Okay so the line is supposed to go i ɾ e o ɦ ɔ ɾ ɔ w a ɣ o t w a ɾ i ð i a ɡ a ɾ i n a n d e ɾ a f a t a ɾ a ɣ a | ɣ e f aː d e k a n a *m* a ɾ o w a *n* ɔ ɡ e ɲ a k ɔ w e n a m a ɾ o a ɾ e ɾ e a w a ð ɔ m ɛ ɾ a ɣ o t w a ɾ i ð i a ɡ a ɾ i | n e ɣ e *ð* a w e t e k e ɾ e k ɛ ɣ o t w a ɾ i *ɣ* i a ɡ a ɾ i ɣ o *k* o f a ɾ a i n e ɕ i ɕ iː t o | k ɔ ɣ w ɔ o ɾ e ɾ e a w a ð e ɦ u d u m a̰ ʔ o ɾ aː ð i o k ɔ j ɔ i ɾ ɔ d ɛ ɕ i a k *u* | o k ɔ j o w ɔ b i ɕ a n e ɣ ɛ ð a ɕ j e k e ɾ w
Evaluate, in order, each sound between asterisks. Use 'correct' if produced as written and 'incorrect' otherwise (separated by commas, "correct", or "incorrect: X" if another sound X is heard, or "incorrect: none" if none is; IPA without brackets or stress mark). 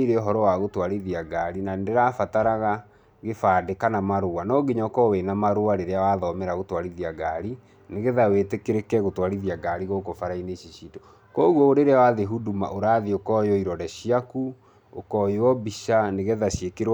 correct, correct, correct, incorrect: ð, correct, correct